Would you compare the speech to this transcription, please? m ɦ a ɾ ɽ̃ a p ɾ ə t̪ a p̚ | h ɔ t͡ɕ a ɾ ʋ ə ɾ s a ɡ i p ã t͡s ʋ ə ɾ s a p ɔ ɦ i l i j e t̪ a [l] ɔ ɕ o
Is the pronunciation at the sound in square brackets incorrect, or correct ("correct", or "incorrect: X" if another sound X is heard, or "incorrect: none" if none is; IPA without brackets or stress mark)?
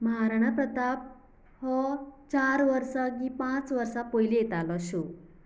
correct